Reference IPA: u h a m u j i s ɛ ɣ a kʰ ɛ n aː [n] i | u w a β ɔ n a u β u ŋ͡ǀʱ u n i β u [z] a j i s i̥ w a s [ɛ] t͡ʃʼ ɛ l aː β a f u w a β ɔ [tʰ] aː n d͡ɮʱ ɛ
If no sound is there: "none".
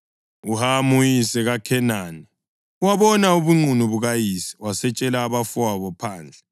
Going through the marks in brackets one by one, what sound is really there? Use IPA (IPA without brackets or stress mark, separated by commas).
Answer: n, ɣ, ɛ, pʰ